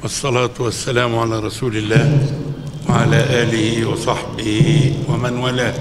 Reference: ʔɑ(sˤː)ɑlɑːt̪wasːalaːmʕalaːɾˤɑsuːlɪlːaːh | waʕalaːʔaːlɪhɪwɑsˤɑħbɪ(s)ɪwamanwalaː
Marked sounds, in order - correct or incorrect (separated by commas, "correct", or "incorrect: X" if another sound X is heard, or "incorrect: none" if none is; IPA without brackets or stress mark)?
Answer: correct, incorrect: h